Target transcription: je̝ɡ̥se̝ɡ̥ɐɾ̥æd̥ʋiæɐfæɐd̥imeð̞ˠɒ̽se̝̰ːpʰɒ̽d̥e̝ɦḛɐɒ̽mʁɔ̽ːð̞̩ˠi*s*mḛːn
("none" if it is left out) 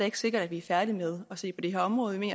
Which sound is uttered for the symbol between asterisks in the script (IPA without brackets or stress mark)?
none